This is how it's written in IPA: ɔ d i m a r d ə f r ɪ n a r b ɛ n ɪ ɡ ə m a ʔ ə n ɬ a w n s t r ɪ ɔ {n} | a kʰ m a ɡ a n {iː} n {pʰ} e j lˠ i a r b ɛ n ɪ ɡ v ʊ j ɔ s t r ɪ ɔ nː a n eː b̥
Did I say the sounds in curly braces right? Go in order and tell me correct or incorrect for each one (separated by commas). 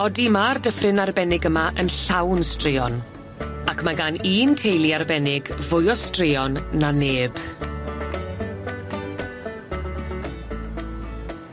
correct, correct, incorrect